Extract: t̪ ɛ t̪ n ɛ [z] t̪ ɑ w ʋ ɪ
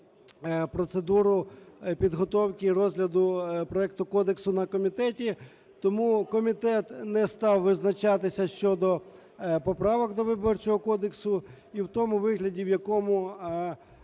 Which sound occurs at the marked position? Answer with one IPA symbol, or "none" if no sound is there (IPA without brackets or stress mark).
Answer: s